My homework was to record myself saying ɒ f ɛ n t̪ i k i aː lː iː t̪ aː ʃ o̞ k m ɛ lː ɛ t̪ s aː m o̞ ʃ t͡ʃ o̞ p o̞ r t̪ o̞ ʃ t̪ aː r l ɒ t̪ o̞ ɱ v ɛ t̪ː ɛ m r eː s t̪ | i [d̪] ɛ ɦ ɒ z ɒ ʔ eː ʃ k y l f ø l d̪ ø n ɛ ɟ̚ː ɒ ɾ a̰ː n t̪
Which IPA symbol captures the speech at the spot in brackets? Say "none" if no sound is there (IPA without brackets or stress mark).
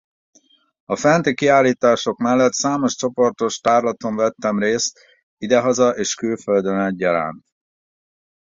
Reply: d̪